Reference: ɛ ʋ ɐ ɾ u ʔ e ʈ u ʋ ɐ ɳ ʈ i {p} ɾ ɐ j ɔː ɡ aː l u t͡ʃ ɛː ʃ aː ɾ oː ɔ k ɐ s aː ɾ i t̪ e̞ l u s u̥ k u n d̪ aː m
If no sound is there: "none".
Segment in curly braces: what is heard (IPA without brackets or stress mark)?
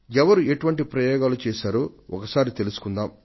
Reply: p